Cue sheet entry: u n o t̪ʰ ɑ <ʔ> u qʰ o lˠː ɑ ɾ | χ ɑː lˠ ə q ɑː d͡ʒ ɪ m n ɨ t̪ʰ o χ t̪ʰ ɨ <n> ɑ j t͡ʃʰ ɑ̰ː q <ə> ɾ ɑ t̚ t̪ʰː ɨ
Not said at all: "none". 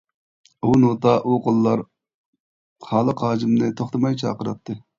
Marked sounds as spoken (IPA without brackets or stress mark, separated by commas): ʔ, m, ə